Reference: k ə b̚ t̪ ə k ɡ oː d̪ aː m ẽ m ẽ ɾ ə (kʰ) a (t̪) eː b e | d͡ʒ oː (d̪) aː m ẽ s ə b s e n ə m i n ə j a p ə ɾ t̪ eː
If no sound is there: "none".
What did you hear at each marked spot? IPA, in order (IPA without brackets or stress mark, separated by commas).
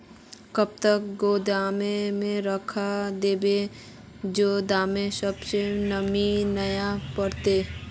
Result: kʰ, d̪, d̪